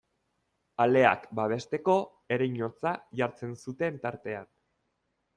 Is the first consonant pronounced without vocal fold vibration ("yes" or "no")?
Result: no